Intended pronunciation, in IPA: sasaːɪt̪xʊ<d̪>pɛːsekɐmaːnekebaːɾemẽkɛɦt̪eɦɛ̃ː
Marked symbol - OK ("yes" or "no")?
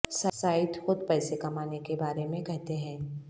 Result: yes